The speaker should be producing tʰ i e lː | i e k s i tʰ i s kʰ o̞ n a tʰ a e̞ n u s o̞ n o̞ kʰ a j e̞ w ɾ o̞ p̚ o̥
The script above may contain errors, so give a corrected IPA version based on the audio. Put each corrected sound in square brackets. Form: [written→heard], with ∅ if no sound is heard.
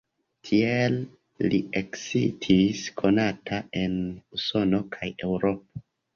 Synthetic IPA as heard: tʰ i e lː | i e k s i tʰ i s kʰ o̞ n a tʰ a e̞ n u s o̞ n o̞ kʰ a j e̞ w ɾ o̞ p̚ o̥